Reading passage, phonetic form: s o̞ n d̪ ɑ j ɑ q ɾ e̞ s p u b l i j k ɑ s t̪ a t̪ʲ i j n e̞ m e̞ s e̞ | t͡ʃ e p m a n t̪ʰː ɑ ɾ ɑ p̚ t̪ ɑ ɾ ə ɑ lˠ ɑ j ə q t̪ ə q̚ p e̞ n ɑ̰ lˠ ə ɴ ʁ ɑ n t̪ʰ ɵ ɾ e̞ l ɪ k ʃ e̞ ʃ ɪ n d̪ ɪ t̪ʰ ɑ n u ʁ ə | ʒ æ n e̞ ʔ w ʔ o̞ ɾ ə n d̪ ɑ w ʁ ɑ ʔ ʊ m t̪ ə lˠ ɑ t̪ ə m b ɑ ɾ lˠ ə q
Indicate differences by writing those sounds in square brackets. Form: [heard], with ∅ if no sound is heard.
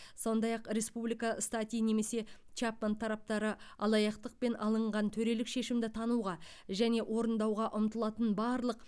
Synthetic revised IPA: s o̞ n d̪ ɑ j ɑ q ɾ e̞ s p u b l i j k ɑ s t̪ a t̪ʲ i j n e̞ m e̞ s e̞ | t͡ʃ [a] p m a n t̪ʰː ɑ ɾ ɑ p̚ t̪ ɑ ɾ ə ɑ lˠ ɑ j [ɑ] q t̪ ə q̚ p e̞ n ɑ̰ lˠ ə ɴ ʁ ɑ n t̪ʰ ɵ ɾ e̞ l ɪ k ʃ e̞ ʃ ɪ [m] d̪ ɪ t̪ʰ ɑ n u ʁ [ɑ] | ʒ æ n e̞ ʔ w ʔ o̞ ɾ ə n d̪ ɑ w ʁ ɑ ʔ ʊ m t̪ ə lˠ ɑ t̪ ə [n] b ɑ ɾ lˠ ə q